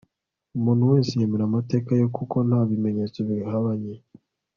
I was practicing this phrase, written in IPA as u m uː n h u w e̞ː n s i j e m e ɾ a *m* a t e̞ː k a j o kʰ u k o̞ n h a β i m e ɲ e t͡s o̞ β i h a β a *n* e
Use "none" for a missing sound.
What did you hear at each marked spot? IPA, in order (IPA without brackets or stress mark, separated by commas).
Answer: m, ɲ